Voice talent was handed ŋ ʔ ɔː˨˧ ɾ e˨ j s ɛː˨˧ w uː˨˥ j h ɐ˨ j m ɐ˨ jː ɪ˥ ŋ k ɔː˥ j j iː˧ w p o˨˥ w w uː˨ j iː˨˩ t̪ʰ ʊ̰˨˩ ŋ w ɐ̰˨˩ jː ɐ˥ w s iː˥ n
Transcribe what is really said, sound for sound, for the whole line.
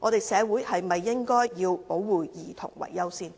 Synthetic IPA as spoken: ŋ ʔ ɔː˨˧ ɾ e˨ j s ɛː˨˧ w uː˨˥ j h ɐ˨ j m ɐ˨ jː ɪ˥ ŋ k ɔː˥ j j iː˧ w p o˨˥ w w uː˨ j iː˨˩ t̪ʰ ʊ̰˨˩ ŋ w ɐ̰˨˩ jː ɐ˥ w s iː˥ n